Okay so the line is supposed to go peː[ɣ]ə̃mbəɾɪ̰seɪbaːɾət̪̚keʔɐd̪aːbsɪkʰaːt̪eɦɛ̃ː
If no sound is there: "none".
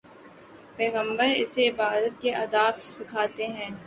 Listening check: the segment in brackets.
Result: ɣ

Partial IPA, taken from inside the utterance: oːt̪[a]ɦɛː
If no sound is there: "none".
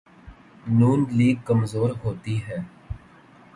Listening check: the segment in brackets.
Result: i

